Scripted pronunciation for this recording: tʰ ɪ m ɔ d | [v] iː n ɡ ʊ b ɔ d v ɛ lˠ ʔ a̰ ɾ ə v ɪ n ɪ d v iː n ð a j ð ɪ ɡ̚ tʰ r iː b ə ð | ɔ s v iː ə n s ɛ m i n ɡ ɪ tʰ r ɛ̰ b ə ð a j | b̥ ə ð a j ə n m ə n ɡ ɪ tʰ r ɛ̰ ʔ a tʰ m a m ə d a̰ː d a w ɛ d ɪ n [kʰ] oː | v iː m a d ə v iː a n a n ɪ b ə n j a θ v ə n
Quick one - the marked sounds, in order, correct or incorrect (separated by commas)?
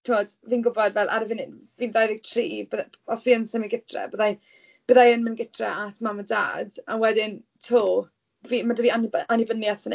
correct, incorrect